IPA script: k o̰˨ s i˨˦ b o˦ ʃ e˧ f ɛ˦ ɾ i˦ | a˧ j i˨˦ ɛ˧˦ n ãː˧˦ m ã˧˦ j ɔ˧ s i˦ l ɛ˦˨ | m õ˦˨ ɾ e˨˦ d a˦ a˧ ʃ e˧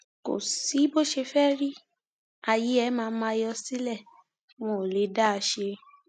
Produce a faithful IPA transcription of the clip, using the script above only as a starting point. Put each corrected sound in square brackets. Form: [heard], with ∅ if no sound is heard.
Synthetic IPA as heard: k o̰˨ s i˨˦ b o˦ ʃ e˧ f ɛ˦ ɾ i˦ | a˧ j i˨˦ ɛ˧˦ [m] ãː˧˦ m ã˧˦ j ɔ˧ s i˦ l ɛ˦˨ | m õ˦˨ [l] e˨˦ d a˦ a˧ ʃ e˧